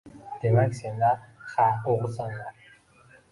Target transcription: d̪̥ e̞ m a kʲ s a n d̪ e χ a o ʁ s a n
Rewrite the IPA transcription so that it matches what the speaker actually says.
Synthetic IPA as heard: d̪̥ e̞ m a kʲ s e n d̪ a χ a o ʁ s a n